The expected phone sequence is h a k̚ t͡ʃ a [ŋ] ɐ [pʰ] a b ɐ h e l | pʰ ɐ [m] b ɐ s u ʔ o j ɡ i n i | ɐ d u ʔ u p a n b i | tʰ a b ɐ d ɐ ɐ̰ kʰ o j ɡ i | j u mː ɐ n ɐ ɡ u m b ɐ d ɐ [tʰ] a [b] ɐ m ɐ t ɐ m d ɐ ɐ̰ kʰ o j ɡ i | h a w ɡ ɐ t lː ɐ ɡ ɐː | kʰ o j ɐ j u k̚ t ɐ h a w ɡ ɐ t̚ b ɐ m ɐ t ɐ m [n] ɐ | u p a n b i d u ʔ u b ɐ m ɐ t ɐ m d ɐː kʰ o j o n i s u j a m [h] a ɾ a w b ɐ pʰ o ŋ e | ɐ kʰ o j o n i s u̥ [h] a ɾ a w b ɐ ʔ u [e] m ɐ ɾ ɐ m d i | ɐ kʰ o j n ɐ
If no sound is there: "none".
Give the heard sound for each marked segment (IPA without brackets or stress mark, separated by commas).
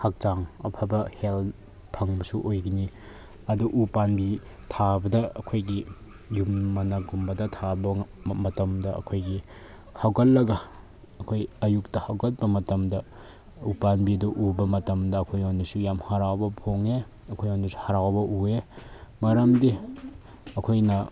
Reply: ŋ, pʰ, ŋ, tʰ, b, d, h, h, e